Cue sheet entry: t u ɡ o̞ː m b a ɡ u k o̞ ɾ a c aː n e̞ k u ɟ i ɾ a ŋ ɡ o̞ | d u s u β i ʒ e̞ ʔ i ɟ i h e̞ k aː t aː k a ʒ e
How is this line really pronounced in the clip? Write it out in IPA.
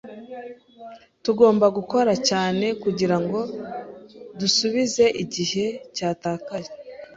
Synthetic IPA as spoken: t u ɡ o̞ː m b a ɡ u k o̞ ɾ a c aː n e̞ k u ɟ i ɾ a ŋ ɡ o̞ | d u s u β i z e̞ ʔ i ɟ i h e̞ c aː t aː k a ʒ e